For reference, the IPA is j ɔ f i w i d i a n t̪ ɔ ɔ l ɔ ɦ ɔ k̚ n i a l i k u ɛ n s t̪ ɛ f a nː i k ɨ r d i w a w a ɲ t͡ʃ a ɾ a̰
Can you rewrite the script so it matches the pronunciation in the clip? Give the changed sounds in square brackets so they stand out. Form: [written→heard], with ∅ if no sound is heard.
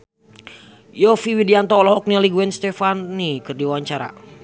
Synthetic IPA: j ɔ f i w i d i a n t̪ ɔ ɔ l ɔ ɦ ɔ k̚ n i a l i [k→ɡ] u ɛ n s t̪ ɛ f a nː i k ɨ r d i w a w a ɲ t͡ʃ a ɾ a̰